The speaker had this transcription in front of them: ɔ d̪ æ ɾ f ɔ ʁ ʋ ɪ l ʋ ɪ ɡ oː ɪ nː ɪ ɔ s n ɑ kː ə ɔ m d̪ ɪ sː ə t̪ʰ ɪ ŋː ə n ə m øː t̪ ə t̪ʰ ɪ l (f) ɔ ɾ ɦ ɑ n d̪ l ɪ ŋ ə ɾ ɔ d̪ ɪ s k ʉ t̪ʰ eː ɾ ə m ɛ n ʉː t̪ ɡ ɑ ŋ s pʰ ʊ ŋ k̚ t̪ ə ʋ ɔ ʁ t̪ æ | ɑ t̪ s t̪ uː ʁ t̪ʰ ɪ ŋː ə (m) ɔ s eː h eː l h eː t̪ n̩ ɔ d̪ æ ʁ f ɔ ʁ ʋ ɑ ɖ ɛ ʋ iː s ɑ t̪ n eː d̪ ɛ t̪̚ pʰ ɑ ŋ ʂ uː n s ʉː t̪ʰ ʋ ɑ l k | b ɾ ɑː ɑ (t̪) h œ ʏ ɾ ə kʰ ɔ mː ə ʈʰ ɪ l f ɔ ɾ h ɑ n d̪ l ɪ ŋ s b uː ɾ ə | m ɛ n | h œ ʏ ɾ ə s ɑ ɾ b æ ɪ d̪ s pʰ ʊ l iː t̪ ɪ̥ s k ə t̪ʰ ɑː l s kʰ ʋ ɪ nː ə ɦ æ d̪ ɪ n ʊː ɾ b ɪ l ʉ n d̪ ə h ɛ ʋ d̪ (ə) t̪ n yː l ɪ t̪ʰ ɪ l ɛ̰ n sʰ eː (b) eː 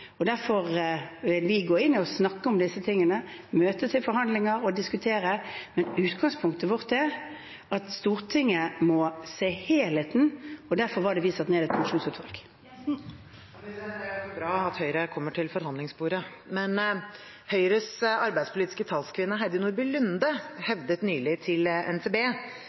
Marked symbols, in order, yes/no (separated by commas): yes, yes, yes, yes, yes